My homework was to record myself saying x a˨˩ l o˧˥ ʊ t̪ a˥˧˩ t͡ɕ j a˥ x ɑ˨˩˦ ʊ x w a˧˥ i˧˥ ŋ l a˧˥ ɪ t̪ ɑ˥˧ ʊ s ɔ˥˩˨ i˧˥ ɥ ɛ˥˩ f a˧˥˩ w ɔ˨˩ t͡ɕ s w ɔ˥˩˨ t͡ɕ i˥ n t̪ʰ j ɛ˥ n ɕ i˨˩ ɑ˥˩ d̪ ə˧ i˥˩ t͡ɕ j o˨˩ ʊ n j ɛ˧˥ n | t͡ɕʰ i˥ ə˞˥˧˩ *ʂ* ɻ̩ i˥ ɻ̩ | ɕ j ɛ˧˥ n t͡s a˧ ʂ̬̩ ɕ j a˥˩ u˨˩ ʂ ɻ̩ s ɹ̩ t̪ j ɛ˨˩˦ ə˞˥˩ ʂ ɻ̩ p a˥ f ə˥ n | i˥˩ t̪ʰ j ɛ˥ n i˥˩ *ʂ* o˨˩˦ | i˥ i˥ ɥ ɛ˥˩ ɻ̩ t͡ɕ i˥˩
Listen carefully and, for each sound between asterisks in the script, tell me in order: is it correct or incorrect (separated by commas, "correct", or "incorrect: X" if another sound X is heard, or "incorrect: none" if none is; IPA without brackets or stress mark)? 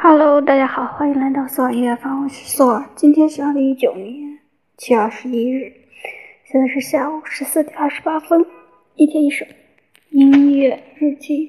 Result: correct, correct